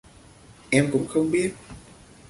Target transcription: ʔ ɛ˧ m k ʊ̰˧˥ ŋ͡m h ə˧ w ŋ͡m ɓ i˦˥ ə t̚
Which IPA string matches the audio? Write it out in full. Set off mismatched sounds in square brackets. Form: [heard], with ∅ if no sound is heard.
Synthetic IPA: ʔ ɛ˧ m k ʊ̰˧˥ ŋ͡m [x] ə˧ w ŋ͡m ɓ i˦˥ ə t̚